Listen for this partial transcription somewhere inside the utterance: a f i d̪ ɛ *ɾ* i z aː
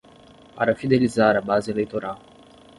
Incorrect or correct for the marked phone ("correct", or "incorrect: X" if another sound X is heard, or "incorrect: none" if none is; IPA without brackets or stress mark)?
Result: incorrect: l